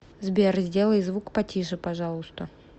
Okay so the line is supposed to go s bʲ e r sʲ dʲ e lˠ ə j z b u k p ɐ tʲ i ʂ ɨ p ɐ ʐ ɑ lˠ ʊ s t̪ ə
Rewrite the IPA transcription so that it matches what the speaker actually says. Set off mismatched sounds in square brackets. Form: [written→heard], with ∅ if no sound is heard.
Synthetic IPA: [s→z] bʲ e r [sʲ→zʲ] dʲ e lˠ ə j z [b→v] u k p ɐ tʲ i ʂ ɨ p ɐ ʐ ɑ lˠ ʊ s t̪ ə